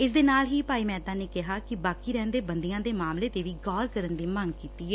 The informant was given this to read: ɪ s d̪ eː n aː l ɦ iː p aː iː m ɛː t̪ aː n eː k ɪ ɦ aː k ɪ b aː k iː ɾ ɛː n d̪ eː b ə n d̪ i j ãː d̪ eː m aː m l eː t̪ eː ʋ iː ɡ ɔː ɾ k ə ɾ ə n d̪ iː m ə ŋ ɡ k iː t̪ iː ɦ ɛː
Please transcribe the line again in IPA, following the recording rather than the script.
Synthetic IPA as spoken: ɪ s d̪ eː n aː l ɦ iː p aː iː m ɛː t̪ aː n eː k ɪ ɦ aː k ɪ b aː k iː ɾ ɛː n d̪ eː b ə n d̪ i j ãː d̪ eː m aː m l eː t̪ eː ʋ iː ɡ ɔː ɾ k ə ɾ ə n d̪ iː m ə ŋ ɡ k iː t̪ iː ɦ ɛː